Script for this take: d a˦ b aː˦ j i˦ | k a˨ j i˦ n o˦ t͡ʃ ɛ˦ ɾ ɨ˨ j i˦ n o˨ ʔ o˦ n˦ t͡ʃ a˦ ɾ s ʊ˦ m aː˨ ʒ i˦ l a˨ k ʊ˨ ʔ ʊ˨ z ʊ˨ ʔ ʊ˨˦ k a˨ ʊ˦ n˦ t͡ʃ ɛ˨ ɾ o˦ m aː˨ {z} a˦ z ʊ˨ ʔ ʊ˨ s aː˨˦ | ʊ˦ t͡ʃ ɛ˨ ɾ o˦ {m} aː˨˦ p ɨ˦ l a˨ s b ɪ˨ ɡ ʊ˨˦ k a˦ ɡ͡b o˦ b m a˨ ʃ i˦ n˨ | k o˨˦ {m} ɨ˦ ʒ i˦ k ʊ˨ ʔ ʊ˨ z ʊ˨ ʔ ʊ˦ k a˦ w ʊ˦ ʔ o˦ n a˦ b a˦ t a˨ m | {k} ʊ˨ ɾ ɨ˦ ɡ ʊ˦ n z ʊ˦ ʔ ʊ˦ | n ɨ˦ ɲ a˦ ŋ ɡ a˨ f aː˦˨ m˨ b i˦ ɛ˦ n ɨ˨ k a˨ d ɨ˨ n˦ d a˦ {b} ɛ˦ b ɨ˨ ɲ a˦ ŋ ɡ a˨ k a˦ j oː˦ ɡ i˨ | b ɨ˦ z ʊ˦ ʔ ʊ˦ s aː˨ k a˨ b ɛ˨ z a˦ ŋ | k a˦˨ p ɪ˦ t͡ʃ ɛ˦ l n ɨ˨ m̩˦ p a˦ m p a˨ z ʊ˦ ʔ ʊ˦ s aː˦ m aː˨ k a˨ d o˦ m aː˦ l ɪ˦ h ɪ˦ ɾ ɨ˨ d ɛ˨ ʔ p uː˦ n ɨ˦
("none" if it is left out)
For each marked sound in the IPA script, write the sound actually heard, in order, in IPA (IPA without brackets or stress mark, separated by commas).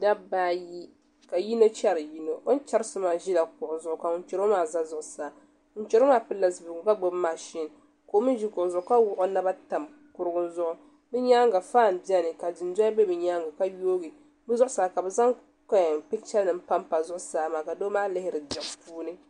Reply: z, m, m, k, b